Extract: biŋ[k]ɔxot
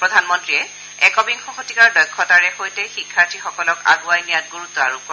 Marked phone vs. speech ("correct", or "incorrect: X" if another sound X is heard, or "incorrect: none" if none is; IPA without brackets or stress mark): incorrect: x